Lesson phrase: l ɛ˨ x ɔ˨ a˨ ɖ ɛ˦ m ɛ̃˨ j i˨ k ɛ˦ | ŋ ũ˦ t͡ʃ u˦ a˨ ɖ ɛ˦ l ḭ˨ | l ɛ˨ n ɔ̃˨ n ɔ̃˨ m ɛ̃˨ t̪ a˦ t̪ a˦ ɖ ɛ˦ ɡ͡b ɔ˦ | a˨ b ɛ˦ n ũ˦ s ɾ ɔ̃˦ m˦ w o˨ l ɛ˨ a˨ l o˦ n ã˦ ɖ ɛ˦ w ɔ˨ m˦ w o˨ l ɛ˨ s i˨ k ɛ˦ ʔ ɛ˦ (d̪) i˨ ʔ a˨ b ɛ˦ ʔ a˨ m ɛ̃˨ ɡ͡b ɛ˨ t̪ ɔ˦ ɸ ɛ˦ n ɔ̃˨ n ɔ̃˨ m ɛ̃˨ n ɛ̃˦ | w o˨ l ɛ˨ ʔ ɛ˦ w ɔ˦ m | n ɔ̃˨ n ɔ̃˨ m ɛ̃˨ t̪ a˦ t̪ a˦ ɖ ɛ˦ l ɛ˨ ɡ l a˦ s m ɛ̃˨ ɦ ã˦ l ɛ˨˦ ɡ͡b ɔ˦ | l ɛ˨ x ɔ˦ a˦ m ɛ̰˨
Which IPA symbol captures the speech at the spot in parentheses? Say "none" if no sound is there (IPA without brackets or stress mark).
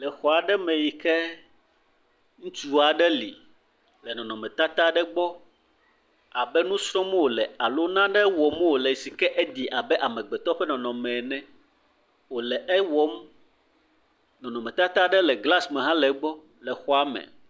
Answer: d̪